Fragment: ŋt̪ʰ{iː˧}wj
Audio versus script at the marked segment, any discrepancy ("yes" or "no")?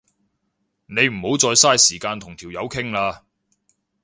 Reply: yes